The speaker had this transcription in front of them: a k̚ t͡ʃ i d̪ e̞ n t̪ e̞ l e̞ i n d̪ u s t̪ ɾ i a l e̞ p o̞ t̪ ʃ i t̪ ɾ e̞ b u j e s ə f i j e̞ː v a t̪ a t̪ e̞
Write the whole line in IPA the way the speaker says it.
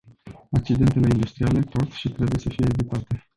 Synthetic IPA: a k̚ t͡ʃ i d̪ e̞ n t̪ e̞ l e̞ i n d̪ u s t̪ ɾ i a l e̞ p o̞ t̪ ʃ i t̪ ɾ e̞ b u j e s ə f i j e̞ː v i t̪ a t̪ e̞